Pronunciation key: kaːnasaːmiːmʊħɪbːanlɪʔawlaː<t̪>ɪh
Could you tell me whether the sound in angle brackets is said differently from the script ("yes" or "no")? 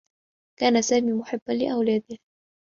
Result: yes